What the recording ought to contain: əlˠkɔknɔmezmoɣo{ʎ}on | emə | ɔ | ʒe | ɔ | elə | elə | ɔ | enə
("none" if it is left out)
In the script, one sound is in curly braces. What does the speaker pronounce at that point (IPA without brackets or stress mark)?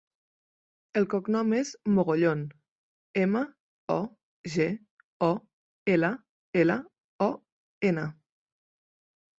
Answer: ʎ